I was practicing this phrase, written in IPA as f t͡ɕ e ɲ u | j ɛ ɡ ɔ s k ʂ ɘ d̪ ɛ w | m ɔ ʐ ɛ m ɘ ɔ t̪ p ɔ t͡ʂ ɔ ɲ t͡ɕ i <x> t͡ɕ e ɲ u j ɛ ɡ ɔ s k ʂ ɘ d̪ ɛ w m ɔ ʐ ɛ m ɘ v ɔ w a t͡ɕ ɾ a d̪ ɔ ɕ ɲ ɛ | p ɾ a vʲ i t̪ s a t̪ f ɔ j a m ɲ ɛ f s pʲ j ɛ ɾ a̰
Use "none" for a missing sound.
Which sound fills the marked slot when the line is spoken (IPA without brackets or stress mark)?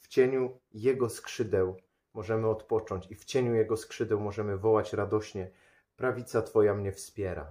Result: f